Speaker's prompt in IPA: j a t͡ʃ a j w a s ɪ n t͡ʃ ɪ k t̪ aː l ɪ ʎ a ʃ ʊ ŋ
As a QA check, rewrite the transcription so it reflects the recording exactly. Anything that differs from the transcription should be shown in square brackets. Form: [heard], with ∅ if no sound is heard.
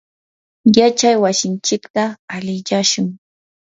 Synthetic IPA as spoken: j a t͡ʃ a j w a s ɪ n t͡ʃ ɪ k t̪ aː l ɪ ʎ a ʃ ʊ ŋ